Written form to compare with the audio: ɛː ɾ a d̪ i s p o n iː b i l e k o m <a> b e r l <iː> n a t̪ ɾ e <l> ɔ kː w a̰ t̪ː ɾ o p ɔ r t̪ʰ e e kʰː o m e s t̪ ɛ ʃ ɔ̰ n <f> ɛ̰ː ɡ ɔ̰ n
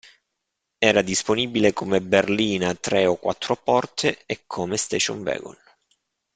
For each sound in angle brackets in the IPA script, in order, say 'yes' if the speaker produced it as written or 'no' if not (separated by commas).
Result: no, yes, no, no